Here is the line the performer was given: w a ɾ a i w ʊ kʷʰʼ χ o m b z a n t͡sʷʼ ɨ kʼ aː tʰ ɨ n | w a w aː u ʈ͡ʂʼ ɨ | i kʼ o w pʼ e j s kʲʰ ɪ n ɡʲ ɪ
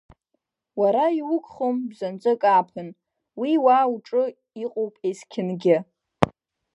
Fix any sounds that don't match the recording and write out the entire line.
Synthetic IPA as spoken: w a ɾ a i w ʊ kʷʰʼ χ o m b z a n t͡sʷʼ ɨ kʼ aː pʰ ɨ n | w i w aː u ʈ͡ʂʼ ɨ | i qʼ o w pʼ e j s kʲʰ ɪ n ɡʲ ɪ